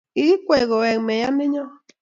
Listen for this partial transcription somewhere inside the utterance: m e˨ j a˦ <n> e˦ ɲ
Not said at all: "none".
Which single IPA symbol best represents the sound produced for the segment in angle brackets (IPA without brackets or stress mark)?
m